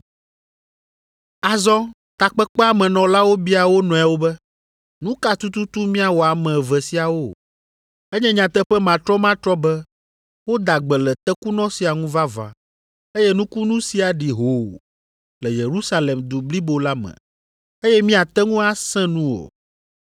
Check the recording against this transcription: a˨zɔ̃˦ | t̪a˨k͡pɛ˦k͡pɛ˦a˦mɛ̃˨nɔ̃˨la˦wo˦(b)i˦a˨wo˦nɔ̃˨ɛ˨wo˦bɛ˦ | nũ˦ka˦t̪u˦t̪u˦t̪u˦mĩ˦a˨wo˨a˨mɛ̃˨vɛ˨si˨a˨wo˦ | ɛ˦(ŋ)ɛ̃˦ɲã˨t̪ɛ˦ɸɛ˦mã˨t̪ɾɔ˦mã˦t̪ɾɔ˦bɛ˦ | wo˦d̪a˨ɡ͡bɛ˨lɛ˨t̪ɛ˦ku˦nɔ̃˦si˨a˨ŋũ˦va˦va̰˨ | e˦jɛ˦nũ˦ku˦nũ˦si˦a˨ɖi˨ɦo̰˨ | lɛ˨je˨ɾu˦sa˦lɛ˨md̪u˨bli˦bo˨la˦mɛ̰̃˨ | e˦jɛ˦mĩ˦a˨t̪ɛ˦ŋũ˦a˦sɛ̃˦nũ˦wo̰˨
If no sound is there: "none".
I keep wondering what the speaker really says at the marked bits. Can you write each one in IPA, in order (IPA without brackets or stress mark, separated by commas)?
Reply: b, ɲ